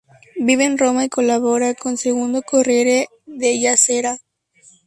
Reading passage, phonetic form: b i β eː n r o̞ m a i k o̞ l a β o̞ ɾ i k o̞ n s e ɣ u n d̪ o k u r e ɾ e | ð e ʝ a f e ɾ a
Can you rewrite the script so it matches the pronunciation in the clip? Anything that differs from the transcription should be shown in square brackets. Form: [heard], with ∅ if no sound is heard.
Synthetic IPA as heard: b i β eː n r o̞ m a i k o̞ l a β o̞ ɾ [a] k o̞ n s e ɣ u n d̪ o k [o] r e ɾ e | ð e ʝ a [s] e ɾ a